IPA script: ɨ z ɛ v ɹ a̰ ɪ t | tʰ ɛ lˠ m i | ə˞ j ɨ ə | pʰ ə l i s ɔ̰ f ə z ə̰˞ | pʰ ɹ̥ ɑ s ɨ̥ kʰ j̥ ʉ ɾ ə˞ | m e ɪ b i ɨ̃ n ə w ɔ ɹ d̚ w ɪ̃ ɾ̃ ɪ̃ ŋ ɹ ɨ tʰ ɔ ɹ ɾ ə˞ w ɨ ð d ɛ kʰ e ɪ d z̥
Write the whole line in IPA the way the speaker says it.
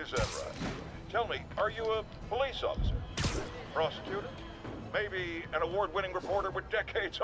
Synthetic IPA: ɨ z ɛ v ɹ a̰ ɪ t | tʰ ɛ lˠ m i | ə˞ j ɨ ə | pʰ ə l i s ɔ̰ f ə s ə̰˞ | pʰ ɹ̥ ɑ s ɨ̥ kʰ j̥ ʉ ɾ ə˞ | m e ɪ b i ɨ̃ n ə w ɔ ɹ d̚ w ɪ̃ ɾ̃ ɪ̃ ŋ ɹ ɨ pʰ ɔ ɹ ɾ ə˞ w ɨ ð d ɛ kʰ e ɪ d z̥